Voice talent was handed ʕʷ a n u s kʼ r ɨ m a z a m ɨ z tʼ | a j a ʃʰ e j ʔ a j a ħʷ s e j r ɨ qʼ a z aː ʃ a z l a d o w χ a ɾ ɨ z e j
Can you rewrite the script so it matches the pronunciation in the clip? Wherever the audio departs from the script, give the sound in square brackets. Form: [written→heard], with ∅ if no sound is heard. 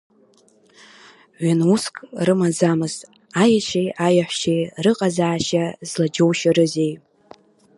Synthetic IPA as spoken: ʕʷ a n u s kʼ r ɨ m a z a m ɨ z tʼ | a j a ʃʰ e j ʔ a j a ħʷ [s→ʃ] e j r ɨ qʼ a z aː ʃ a z l a [d→d͡ʒ] o w [χ→ʃ] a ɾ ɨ z e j

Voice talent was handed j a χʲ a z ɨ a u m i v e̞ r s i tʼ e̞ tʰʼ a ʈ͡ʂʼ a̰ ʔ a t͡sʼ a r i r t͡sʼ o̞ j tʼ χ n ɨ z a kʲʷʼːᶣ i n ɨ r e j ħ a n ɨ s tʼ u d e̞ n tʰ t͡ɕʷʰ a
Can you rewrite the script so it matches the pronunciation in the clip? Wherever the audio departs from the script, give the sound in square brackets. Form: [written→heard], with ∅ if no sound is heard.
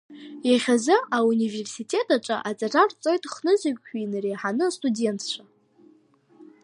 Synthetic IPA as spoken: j a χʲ a z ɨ a u [m→n] i v e̞ r s i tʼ e̞ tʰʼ a ʈ͡ʂʼ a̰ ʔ a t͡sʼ a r [i→a] r t͡sʼ o̞ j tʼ χ n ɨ z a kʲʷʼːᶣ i n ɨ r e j ħ a n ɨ s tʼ u d e̞ n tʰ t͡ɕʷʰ a

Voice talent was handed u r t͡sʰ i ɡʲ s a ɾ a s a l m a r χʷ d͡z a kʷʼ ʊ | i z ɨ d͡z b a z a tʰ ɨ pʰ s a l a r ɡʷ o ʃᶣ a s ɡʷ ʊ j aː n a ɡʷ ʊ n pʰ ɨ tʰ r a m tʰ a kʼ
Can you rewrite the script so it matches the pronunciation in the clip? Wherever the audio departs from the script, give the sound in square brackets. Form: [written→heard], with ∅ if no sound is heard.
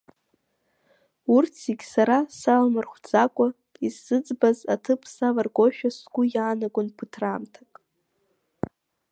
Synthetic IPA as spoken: u r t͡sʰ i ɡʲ s a ɾ a s a l m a r χʷ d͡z a kʷʼ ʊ | i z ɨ d͡z b a z a tʰ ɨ pʰ s a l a r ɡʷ o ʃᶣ a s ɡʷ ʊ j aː n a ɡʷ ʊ n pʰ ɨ tʰ r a m tʰ a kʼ

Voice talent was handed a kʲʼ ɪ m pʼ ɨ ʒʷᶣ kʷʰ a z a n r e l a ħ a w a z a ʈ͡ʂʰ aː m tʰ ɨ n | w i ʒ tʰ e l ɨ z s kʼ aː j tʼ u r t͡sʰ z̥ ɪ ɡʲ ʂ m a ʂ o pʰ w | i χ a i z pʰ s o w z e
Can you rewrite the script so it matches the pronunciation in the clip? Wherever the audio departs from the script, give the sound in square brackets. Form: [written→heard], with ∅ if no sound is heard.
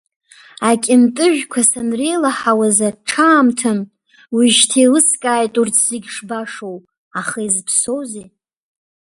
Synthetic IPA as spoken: a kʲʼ ɪ m [pʼ→tʼ] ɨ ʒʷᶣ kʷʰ a [z→s] a n r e l a ħ a w a z a ʈ͡ʂʰ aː m tʰ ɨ n | w i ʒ tʰ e l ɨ [z→∅] s kʼ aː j tʼ u r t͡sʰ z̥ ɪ ɡʲ ʂ [m→b] a ʂ o [pʰ→∅] w | [i→a] χ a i z pʰ s o w z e

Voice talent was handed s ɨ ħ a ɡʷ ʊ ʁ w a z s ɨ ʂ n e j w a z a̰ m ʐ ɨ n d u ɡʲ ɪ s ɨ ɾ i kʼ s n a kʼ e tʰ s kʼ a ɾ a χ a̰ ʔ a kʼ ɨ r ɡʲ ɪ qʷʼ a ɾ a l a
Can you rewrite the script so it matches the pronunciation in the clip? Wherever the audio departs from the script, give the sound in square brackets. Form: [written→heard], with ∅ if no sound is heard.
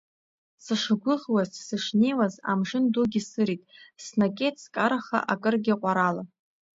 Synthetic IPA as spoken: s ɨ [ħ→ʂ] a ɡʷ ʊ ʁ w a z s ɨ ʂ n e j w a z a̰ m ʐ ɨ n d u ɡʲ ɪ s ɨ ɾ i [kʼ→tʼ] s n a kʼ e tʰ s kʼ a ɾ a χ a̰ ʔ a kʼ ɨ r ɡʲ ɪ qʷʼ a ɾ a l a

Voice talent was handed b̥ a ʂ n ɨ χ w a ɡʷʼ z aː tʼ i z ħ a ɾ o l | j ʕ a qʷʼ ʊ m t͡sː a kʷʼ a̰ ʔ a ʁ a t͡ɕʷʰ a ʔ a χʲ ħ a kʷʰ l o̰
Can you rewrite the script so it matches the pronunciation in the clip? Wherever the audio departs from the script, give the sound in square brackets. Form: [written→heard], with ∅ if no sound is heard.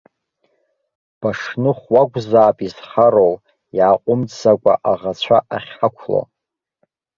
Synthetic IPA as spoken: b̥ a ʂ n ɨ χ w a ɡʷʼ z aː [tʼ→pʼ] i z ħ a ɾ o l | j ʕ a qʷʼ ʊ m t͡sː a kʷʼ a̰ ʔ a ʁ a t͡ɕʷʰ a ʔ a χʲ ħ a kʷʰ l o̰

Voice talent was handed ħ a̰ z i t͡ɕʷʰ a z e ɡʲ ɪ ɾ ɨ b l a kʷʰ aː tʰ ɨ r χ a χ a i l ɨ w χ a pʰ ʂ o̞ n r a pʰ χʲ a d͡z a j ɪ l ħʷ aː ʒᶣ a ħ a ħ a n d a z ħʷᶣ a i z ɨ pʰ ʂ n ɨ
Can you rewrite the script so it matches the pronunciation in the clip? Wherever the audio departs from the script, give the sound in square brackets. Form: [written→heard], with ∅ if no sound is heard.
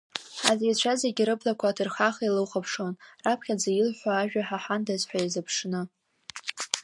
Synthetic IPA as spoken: ħ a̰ z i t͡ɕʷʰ a z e ɡʲ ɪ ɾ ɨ b l a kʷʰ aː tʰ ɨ r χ a χ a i l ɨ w χ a pʰ ʂ o̞ n r a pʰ χʲ a d͡z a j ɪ l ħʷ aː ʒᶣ a ħ a ħ a n d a z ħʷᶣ a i z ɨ pʰ ʂ n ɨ

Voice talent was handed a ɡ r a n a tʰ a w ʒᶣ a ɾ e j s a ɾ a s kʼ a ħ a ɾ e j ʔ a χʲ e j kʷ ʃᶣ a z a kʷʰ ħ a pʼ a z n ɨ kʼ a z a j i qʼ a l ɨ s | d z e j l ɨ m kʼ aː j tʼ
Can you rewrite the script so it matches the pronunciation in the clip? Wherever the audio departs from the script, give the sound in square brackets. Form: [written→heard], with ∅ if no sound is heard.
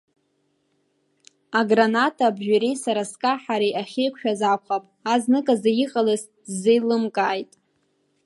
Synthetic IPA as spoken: a ɡ r a n a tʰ a [w→b] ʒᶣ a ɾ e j s a ɾ a s kʼ a ħ a ɾ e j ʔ a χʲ e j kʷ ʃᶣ a z a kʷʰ [ħ→χ] a pʼ a z n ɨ kʼ a z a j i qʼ a l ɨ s | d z e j l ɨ m kʼ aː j tʼ

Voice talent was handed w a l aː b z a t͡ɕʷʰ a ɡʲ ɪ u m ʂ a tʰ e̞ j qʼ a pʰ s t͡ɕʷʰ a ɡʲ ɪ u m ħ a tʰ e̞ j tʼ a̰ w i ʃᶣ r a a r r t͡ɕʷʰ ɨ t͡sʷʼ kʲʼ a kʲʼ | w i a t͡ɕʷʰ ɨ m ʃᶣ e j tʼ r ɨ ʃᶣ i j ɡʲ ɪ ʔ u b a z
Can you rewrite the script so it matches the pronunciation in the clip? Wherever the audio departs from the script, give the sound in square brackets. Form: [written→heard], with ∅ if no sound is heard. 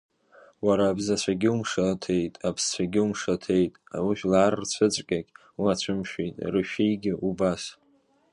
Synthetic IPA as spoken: w a [l→ɾ] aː b z a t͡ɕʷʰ a ɡʲ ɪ u m ʂ a tʰ e̞ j [qʼ→tʼ] a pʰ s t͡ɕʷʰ a ɡʲ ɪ u m [ħ→ʂ] a tʰ e̞ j tʼ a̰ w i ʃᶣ [r→l] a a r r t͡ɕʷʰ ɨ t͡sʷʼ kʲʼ a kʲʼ | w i a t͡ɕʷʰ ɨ m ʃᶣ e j tʼ r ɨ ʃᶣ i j ɡʲ ɪ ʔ u b a [z→s]

